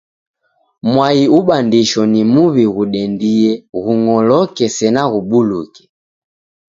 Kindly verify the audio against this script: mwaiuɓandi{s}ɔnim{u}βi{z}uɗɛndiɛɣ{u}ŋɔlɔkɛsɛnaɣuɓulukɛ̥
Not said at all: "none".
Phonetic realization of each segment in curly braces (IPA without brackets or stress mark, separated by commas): ʃ, u, ɣ, u